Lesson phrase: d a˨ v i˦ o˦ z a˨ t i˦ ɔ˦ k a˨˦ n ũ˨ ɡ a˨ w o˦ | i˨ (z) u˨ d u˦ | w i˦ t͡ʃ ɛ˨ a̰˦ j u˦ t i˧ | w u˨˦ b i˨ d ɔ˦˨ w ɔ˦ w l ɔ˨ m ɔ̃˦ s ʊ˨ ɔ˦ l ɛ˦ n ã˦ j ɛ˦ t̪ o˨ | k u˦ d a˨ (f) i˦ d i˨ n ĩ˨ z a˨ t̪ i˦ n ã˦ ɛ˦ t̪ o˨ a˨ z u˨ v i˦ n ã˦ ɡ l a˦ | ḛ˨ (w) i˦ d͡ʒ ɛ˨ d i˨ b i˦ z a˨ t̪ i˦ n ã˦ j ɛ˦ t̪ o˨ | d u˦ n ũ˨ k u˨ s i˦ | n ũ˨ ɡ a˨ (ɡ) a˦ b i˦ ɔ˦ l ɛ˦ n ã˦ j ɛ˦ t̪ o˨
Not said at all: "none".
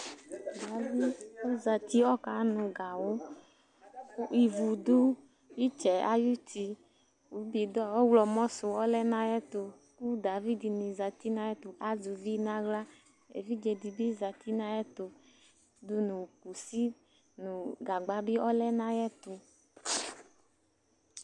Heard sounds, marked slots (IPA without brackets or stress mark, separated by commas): v, v, v, ɡ͡b